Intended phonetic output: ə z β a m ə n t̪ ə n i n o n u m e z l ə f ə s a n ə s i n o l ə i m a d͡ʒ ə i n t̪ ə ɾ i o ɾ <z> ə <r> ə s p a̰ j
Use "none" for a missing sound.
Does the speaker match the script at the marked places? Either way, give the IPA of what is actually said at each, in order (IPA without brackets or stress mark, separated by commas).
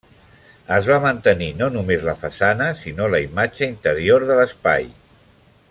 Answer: ð, l